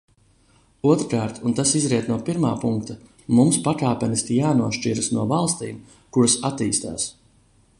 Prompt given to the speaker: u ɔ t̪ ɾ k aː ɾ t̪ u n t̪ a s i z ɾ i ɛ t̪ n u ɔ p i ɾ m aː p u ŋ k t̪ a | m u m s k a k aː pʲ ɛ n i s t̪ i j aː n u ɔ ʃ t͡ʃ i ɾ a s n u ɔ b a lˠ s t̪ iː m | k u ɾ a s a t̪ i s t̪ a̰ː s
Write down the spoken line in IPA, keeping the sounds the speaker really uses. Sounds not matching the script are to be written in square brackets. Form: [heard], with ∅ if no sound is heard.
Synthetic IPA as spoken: u ɔ t̪ ɾ k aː ɾ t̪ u n t̪ a s i z ɾ i ɛ t̪ n u ɔ p i ɾ m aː p u ŋ k t̪ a | m u m s [p] a k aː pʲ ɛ n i s t̪ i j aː n u ɔ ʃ t͡ʃ i ɾ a s n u ɔ [v] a lˠ s t̪ iː m | k u ɾ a s a t̪ [iː] s t̪ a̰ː s